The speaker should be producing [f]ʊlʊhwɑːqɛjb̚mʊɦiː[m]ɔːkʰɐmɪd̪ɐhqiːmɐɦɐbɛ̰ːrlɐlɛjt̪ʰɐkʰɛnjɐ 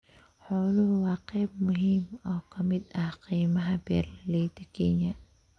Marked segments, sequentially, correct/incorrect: incorrect, correct

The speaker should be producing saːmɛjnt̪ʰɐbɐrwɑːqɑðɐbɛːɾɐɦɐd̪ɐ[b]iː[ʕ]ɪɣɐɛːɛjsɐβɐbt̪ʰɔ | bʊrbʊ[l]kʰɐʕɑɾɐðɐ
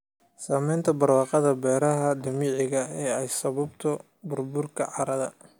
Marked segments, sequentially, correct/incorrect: incorrect, correct, incorrect

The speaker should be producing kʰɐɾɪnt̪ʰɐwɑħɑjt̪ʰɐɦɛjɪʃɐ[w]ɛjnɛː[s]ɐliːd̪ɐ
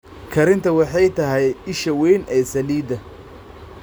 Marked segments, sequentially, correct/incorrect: correct, correct

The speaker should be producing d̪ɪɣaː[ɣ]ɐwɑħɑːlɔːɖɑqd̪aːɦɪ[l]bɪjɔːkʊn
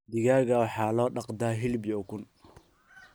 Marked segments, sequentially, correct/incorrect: correct, correct

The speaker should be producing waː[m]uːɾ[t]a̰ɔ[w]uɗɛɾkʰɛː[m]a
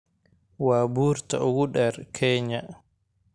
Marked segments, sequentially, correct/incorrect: incorrect, correct, correct, incorrect

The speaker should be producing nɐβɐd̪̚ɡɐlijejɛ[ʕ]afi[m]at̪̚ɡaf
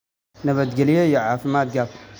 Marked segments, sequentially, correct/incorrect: correct, correct

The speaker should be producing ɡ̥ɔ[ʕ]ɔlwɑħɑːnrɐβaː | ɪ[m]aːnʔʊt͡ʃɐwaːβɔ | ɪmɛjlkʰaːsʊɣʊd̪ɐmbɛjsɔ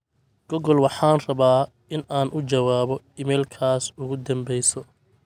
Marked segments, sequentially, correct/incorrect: incorrect, incorrect

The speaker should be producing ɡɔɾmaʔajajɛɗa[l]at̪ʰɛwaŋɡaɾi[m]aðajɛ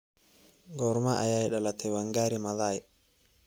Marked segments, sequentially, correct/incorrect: correct, correct

